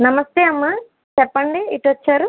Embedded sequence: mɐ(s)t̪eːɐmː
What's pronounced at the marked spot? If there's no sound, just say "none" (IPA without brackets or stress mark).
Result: s